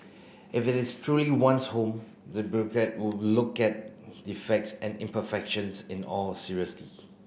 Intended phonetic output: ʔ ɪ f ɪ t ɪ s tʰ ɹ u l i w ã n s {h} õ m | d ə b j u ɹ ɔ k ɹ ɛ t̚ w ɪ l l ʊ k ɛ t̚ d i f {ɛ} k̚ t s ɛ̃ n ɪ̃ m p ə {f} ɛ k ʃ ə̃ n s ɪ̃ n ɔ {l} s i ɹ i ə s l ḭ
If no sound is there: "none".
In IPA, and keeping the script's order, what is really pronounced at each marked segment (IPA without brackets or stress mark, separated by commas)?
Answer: h, ɛ, f, l